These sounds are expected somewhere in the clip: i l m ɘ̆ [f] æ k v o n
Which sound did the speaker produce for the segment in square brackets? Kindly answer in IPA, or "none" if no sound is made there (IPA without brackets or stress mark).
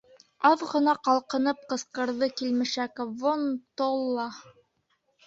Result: ʃ